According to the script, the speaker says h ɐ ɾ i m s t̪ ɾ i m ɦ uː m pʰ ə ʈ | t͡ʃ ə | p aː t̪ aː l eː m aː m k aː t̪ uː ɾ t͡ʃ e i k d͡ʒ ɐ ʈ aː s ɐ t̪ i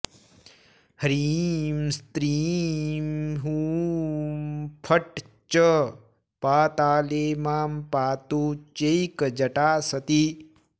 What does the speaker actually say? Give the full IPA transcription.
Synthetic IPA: h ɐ ɾ i m s t̪ ɾ i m ɦ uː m pʰ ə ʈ | t͡ʃ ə | p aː t̪ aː l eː m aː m p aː t̪ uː t͡ʃ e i k d͡ʒ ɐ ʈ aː s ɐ t̪ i